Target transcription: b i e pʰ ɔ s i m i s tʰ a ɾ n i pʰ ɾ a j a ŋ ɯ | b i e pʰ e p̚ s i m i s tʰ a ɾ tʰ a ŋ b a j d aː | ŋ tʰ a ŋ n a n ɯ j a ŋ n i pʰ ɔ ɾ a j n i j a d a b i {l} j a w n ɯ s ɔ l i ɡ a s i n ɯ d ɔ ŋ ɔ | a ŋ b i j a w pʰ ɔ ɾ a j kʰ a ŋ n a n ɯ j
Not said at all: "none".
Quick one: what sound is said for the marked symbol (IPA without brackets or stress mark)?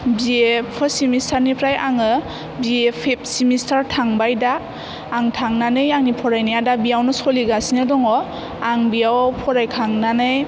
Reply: none